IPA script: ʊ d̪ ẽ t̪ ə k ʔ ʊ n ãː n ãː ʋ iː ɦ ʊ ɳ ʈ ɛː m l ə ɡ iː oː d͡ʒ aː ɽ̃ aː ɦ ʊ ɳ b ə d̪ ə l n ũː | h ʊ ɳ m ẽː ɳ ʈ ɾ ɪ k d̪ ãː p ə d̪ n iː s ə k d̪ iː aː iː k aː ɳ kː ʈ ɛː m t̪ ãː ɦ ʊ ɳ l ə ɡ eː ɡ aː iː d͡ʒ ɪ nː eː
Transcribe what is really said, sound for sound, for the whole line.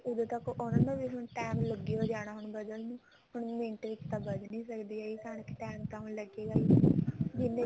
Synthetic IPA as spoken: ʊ d̪ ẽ t̪ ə k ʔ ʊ n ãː n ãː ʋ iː ɦ ʊ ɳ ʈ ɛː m l ə ɡ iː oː d͡ʒ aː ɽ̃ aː ɦ ʊ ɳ b ə d̪ ə l n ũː | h ʊ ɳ m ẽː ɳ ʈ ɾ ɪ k t̪ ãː b ə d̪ n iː s ə k d̪ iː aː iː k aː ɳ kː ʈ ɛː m t̪ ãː ɦ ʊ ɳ l ə ɡ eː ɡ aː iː d͡ʒ ɪ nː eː

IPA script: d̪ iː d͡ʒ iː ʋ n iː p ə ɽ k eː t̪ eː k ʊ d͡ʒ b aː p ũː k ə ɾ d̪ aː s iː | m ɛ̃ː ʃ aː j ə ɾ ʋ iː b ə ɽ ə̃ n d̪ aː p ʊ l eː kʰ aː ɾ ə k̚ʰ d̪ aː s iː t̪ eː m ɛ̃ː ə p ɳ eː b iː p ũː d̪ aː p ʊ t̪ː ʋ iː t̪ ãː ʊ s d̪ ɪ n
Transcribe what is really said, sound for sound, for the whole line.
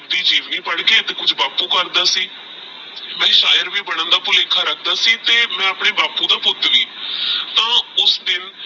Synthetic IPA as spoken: d̪ iː d͡ʒ iː ʋ n iː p ə ɽ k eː t̪ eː k ʊ d͡ʒ b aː p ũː k ə ɾ d̪ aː s iː | m ɛ̃ː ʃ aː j ə ɾ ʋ iː b ə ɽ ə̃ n d̪ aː p ʊ l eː kʰ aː ɾ ə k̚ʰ d̪ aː s iː t̪ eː m ɛ̃ː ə p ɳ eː b aː p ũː d̪ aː p ʊ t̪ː ʋ iː t̪ ãː ʊ s d̪ ɪ n

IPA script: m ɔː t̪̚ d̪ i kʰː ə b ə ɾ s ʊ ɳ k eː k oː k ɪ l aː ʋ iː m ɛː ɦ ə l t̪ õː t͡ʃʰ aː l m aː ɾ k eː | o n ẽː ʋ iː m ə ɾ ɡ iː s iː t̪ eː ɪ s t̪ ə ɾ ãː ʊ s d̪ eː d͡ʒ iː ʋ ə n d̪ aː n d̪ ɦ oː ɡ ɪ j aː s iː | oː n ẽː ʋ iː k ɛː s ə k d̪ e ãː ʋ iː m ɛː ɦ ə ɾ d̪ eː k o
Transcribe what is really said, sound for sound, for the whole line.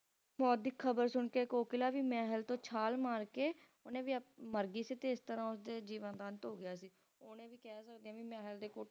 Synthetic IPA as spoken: m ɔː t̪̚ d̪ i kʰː ə b ə ɾ s ʊ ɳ k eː k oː k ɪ l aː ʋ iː m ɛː ɦ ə l t̪ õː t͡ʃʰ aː l m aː ɾ k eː | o n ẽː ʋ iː m ə ɾ ɡ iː s iː t̪ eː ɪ s t̪ ə ɾ ãː ʊ s d̪ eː d͡ʒ iː ʋ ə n d̪ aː n t̪ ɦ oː ɡ ɪ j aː s iː | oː n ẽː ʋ iː k ɛː s ə k d̪ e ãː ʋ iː m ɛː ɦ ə l d̪ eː k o

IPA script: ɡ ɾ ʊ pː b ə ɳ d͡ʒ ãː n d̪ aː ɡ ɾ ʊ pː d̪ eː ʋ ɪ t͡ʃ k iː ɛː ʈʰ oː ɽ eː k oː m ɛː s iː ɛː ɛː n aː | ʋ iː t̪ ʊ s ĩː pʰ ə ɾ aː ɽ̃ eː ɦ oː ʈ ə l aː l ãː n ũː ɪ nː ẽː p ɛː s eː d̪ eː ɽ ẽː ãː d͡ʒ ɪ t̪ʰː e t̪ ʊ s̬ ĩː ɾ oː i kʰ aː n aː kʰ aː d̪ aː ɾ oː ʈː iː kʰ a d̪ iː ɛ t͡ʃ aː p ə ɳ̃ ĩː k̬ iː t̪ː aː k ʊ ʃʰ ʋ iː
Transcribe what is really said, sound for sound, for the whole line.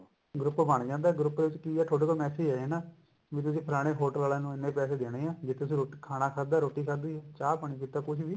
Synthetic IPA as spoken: ɡ ɾ ʊ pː b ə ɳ d͡ʒ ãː n d̪ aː ɡ ɾ ʊ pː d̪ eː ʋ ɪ t͡ʃ k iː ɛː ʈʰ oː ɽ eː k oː m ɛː s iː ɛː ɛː n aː | ʋ iː t̪ ʊ s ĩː pʰ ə ɾ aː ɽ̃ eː ɦ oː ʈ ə l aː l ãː n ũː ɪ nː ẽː p ɛː s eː d̪ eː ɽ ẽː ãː d͡ʒ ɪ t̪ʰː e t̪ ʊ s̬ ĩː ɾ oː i kʰ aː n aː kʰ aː d̪ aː ɾ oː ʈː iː kʰ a d̪ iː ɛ t͡ʃ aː p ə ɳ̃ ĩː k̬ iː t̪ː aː k ʊ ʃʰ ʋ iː

